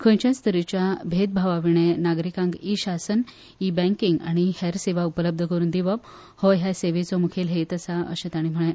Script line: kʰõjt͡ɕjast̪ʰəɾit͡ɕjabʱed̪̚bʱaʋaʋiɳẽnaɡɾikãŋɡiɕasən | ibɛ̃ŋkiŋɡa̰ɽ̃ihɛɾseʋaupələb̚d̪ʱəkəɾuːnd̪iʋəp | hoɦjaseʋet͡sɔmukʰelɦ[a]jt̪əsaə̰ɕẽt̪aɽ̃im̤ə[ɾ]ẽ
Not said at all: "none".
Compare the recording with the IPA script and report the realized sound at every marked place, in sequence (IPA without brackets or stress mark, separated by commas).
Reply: e, ɭ